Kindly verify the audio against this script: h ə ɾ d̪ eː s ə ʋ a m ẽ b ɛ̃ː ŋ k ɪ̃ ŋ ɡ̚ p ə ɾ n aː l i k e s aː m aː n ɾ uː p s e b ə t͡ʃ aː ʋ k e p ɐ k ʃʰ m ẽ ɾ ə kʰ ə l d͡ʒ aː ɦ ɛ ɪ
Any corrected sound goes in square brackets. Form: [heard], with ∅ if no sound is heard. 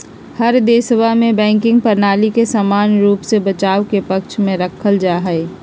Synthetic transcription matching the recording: h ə ɾ d̪ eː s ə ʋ a m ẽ b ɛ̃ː ŋ k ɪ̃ ŋ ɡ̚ p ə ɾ n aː l i k e s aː m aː n ɾ uː p s e b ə t͡ʃ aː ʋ k e p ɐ k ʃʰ m ẽ ɾ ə kʰ ə l d͡ʒ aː ɦ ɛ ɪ

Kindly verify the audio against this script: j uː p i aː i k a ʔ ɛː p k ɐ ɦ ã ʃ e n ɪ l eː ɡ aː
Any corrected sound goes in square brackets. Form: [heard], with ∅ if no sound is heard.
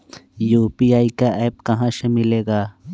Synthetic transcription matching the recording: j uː p i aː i k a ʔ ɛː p k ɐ ɦ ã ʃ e [m] ɪ l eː ɡ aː

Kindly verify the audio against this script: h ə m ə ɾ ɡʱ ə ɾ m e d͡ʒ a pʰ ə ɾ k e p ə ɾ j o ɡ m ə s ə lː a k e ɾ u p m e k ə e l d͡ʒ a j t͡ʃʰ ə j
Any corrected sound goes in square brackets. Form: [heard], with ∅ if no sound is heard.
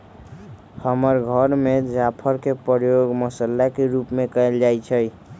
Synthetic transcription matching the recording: h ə m ə ɾ ɡʱ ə ɾ m e d͡ʒ a pʰ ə ɾ k e p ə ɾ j o ɡ m ə s ə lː a k e ɾ u p m e k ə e l d͡ʒ a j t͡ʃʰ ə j

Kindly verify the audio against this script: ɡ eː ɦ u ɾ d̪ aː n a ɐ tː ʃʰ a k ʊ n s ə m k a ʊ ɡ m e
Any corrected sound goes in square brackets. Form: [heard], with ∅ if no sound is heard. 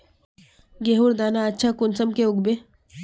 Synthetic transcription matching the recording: ɡ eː ɦ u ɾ d̪ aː n a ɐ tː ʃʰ a k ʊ n s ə m k [e] ʊ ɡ [b] e

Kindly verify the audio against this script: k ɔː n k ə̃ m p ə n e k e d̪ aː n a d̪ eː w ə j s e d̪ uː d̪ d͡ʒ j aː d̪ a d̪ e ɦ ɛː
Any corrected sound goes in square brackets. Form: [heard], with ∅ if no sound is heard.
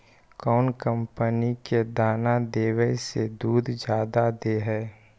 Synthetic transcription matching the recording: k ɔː n k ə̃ m p ə n [i] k e d̪ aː n a d̪ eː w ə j s e d̪ uː d̪ d͡ʒ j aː d̪ a d̪ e ɦ ɛː

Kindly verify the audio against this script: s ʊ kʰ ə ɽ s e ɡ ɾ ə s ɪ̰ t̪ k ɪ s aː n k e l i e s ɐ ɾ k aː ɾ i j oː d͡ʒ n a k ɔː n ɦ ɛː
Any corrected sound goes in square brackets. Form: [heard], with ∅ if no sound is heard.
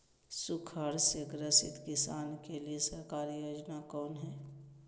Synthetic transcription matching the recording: s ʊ kʰ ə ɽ s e ɡ ɾ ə s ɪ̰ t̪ k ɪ s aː n k e l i e s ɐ ɾ k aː ɾ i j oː d͡ʒ n a k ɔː n ɦ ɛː

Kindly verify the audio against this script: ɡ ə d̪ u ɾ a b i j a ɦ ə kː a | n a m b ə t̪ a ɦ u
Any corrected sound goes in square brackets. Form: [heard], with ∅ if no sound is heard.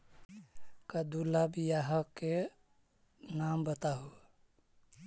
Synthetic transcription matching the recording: [k] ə d̪ u [l] a b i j a ɦ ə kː [e] | n a m b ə t̪ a ɦ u

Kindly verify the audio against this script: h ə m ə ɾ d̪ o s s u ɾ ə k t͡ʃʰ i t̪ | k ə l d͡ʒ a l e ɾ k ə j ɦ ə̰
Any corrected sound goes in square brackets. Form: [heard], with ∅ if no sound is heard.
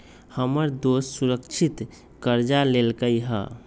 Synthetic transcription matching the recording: h ə m ə ɾ d̪ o s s u ɾ ə k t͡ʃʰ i t̪ | k ə [ɾ] d͡ʒ a l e [l] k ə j ɦ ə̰

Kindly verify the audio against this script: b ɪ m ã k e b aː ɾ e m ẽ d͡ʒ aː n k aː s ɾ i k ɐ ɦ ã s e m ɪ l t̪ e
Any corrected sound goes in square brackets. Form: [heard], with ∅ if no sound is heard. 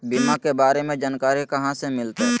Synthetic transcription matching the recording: b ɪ m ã k e b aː ɾ e m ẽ d͡ʒ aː n k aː [∅] ɾ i k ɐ ɦ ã s e m ɪ l t̪ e

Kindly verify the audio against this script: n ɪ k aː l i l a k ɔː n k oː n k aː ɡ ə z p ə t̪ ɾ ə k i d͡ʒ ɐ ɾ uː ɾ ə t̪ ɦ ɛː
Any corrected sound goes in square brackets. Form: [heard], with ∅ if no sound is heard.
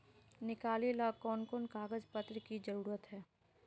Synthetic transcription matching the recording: n ɪ k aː l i l a k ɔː n k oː n k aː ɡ ə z p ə t̪ ɾ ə k i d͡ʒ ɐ ɾ uː ɾ ə t̪ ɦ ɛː

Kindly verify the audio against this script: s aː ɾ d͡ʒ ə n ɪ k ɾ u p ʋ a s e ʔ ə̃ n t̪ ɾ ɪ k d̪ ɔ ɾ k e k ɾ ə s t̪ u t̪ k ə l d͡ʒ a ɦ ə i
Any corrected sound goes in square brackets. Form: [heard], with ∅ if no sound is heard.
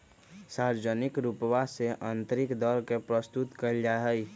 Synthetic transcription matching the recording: s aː ɾ d͡ʒ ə n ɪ k ɾ u p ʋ a s e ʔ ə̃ n t̪ ɾ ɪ k d̪ ɔ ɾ k e [p] ɾ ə s t̪ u t̪ k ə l d͡ʒ a ɦ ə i

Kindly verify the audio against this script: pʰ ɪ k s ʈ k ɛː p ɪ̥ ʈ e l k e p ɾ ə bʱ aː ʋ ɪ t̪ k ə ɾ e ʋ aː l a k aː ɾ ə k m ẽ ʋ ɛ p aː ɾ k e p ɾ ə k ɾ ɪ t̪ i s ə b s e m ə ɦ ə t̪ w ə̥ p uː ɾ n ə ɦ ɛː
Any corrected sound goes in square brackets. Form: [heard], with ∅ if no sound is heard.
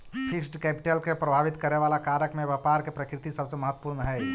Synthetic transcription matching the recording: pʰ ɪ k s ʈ k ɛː p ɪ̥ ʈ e l k e p ɾ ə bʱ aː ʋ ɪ t̪ k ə ɾ e ʋ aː l a k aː ɾ ə k m ẽ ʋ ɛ p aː ɾ k e p ɾ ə k ɾ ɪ t̪ i s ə b s e m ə ɦ ə t̪ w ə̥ p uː ɾ n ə ɦ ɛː

